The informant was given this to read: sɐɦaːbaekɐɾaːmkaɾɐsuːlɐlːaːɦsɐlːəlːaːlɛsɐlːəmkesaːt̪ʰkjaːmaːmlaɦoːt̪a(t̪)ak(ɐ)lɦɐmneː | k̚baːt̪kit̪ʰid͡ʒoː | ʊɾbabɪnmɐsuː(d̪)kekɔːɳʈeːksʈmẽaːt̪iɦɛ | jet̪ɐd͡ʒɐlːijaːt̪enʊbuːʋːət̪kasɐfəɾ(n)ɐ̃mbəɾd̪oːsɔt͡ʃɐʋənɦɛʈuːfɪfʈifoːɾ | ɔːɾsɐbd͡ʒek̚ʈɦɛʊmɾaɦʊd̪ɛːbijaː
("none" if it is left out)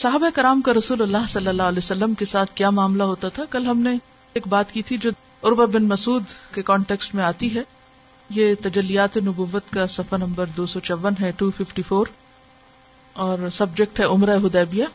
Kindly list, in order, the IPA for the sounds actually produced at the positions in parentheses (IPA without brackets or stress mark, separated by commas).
t̪ʰ, ɐ, d̪, n